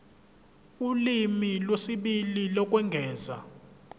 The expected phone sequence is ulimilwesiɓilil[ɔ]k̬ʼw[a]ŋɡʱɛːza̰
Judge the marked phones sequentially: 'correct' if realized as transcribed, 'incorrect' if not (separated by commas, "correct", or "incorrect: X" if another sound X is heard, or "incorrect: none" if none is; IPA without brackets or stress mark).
correct, incorrect: ɛ